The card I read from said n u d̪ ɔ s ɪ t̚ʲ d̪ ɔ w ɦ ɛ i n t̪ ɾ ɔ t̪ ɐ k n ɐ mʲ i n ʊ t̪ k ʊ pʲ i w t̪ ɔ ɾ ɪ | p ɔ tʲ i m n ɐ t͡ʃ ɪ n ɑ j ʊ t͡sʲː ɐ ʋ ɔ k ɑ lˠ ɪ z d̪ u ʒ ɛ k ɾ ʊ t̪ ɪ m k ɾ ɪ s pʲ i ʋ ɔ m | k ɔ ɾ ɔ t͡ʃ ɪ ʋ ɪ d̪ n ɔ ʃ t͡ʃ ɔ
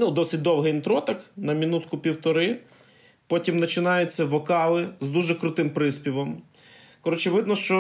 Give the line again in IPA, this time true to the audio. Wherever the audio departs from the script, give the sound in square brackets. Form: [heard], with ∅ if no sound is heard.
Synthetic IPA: n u d̪ ɔ s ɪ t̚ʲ d̪ ɔ w ɦ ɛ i n t̪ ɾ ɔ t̪ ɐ k n ɐ mʲ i n [u] t̪ k ʊ pʲ i w t̪ ɔ ɾ ɪ | p ɔ tʲ i m n ɐ t͡ʃ ɪ n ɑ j ʊ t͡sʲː ɐ ʋ ɔ k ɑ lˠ ɪ z d̪ u ʒ ɛ k ɾ ʊ t̪ ɪ m [p] ɾ ɪ s pʲ i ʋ ɔ m | k ɔ ɾ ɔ t͡ʃ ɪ ʋ ɪ d̪ n ɔ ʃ t͡ʃ ɔ